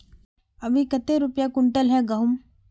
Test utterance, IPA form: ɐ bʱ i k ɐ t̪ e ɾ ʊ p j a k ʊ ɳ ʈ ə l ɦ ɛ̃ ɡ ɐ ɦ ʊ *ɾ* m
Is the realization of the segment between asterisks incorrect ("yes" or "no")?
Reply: yes